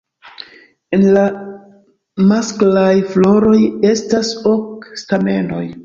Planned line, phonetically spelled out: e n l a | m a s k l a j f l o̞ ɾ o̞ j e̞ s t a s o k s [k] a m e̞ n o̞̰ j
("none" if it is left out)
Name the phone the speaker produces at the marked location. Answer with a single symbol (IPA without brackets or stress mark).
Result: t